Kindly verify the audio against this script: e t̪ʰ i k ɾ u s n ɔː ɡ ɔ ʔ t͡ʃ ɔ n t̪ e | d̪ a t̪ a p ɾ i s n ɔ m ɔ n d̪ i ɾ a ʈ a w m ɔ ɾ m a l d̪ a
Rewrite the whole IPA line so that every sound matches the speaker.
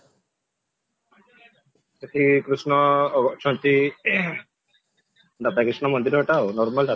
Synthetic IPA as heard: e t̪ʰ i k ɾ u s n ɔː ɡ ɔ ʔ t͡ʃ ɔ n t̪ i | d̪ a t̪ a k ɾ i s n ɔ m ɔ n d̪ i ɾ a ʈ a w n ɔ ɾ m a l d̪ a